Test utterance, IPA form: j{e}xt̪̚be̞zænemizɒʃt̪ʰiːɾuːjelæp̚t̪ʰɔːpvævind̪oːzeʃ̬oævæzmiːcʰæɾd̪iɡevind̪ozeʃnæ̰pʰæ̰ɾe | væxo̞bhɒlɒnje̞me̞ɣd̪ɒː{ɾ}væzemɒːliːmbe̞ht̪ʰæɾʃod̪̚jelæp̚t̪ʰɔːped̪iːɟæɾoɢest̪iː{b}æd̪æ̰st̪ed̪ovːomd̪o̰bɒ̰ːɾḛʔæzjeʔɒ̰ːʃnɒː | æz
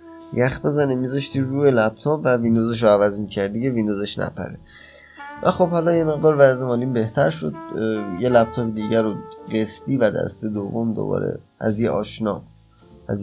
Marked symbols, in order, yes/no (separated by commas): no, yes, no